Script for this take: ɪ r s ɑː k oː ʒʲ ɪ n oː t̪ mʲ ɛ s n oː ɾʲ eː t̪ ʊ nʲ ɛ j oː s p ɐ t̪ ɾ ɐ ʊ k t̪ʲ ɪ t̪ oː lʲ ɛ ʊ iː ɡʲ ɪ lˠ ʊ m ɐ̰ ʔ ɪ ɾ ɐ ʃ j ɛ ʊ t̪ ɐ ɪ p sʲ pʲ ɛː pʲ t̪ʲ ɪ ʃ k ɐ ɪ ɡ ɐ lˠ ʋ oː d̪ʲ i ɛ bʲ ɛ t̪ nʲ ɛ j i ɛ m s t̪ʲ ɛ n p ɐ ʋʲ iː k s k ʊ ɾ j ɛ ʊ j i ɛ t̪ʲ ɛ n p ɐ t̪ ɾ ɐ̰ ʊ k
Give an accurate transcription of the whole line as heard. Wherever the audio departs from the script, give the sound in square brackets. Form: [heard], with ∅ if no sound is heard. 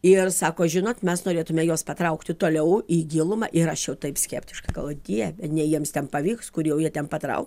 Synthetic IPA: ɪ r s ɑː k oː ʒʲ ɪ n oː t̪ mʲ ɛ s n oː ɾʲ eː t̪ ʊ [mʲ] ɛ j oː s p ɐ t̪ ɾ ɐ ʊ k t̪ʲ ɪ t̪ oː lʲ ɛ ʊ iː ɡʲ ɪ lˠ ʊ m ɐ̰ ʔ ɪ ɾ ɐ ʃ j ɛ ʊ t̪ ɐ ɪ p sʲ [kʲ] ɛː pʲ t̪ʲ ɪ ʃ k ɐ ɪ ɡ ɐ lˠ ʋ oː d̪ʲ i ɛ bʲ ɛ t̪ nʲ ɛ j i ɛ m s t̪ʲ ɛ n p ɐ ʋʲ iː k s k ʊ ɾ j ɛ ʊ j i ɛ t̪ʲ ɛ n p ɐ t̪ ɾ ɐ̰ ʊ k

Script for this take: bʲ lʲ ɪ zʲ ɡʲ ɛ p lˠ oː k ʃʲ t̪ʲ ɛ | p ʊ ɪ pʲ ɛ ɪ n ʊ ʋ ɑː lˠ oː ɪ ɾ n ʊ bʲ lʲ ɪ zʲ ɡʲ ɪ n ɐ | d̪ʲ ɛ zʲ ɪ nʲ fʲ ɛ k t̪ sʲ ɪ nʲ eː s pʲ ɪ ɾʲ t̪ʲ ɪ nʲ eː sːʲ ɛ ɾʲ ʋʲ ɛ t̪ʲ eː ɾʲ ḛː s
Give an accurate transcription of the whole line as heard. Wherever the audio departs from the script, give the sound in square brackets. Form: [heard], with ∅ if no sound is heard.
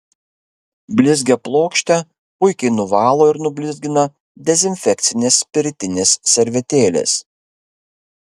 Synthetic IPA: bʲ lʲ ɪ zʲ ɡʲ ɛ p lˠ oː k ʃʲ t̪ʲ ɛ | p ʊ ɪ [kʲ] ɛ ɪ n ʊ ʋ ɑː lˠ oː ɪ ɾ n ʊ bʲ lʲ ɪ zʲ ɡʲ ɪ n ɐ | d̪ʲ ɛ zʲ ɪ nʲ fʲ ɛ k t̪ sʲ ɪ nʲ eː s pʲ ɪ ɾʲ t̪ʲ ɪ nʲ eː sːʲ ɛ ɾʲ ʋʲ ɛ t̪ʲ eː [lʲ] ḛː s

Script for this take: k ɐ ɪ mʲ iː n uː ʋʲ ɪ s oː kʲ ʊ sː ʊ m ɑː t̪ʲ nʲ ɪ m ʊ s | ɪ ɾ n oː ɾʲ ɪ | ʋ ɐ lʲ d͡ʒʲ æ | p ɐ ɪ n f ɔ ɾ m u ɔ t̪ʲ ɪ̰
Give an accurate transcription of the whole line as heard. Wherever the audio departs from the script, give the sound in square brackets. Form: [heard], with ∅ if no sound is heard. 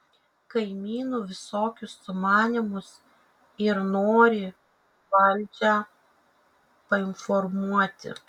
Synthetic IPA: k ɐ ɪ mʲ iː n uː ʋʲ ɪ s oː kʲ ʊ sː ʊ m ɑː [∅] nʲ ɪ m ʊ s | ɪ ɾ n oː ɾʲ ɪ | ʋ ɐ lʲ d͡ʒʲ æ | p ɐ ɪ n f ɔ ɾ m u ɔ t̪ʲ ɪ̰

